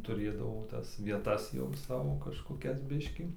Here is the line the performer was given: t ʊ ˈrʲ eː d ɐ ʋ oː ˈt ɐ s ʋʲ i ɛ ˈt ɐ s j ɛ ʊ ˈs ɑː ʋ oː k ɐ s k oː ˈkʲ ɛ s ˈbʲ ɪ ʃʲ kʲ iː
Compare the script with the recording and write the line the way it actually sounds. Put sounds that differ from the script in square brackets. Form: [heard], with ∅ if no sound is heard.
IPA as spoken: t ʊ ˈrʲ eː d ɐ ʋ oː ˈt ɐ s ʋʲ i ɛ ˈt ɐ s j ɛ ʊ ˈs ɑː ʋ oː k ɐ [ʃ] k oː ˈkʲ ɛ s ˈbʲ ɪ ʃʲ kʲ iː